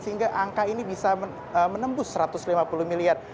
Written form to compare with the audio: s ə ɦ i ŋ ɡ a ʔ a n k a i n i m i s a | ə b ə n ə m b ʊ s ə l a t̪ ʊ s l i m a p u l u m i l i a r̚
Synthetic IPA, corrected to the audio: s ə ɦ i ŋ ɡ a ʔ a ŋ k a i n i b i s a | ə m ə n ə m b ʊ s ə ɾ a t̪ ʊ s l i m a p u l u m i l i a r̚